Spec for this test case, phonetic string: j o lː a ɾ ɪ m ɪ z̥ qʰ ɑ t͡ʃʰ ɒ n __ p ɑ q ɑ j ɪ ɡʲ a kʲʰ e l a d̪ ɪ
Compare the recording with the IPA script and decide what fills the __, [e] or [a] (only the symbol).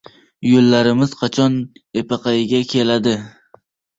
e